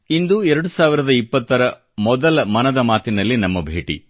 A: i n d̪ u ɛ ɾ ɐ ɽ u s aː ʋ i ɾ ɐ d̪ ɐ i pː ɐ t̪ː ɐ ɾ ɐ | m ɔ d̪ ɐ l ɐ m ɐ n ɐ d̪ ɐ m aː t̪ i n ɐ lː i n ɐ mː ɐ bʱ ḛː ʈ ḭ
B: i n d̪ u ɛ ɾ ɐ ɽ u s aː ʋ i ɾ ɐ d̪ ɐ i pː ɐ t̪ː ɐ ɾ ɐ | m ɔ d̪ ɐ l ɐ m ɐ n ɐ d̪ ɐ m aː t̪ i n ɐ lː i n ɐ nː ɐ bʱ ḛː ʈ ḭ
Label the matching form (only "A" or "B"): A